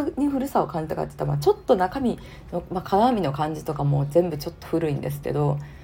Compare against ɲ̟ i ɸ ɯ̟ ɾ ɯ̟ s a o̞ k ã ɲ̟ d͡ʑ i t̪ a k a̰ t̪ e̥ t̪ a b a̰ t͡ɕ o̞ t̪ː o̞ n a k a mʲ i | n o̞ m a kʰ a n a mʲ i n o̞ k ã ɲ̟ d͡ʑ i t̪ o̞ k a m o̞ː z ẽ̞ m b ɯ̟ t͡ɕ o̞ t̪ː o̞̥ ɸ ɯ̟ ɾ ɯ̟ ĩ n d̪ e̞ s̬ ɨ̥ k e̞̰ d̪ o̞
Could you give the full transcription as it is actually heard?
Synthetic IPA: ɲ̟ i ɸ ɯ̟ ɾ ɯ̟ s a o̞ k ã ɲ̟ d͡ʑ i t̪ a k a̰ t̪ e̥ t̪ a m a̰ t͡ɕ o̞ t̪ː o̞ n a k a mʲ i | n o̞ m a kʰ a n a mʲ i n o̞ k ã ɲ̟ d͡ʑ i t̪ o̞ k a m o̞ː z ẽ̞ m b ɯ̟ t͡ɕ o̞ t̪ː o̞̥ ɸ ɯ̟ ɾ ɯ̟ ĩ n d̪ e̞ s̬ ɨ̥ k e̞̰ d̪ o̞